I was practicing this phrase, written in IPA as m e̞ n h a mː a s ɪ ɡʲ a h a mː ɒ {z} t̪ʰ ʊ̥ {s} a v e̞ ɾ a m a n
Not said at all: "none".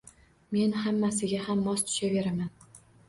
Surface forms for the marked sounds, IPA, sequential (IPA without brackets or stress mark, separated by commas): s, ʃ